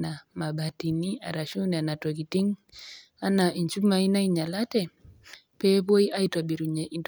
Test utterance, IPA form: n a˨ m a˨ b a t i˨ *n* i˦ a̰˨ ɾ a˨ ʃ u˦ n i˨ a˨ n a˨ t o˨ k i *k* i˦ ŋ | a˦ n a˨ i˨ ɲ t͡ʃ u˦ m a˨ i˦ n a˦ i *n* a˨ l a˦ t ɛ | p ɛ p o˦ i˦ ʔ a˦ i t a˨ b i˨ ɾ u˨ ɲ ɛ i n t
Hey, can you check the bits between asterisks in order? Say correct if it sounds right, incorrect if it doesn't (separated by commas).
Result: correct, incorrect, incorrect